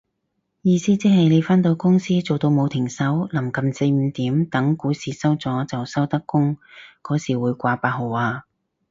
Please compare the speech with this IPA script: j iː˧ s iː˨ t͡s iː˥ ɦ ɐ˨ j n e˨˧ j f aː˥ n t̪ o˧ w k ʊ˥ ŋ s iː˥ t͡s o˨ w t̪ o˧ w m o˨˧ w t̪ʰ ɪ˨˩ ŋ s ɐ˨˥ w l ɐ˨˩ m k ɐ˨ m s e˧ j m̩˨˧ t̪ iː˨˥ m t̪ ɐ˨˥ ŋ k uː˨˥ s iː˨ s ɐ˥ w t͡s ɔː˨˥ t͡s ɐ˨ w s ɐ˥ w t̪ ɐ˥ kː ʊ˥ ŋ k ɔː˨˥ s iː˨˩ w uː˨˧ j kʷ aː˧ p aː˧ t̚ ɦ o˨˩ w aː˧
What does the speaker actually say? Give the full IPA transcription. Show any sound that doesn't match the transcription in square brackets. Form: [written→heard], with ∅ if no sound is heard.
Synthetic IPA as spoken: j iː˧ s [iː˨→iː˥] t͡s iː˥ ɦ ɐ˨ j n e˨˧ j f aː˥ n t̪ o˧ w k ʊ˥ ŋ s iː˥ t͡s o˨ w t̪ o˧ w m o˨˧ w t̪ʰ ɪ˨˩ ŋ s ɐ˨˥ w l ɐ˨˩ m k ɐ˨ m s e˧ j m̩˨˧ t̪ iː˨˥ m t̪ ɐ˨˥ ŋ k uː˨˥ s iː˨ s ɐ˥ w t͡s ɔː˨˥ t͡s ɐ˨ w s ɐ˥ w t̪ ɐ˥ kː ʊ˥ ŋ k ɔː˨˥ s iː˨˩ w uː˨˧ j kʷ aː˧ p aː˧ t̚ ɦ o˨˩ w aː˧